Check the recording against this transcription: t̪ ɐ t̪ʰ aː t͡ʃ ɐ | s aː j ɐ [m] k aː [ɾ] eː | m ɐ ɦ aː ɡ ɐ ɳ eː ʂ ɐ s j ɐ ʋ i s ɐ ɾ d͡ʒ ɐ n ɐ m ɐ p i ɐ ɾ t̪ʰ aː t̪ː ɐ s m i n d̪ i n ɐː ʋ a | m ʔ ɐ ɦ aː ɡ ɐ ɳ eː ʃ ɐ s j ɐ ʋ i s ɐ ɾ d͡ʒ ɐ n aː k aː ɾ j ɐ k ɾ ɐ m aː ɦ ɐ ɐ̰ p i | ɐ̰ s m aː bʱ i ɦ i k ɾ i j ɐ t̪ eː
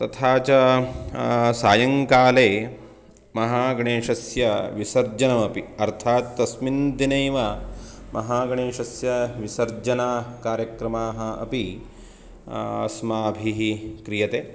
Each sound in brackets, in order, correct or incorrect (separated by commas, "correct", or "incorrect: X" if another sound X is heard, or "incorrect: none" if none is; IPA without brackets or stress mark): incorrect: ŋ, incorrect: l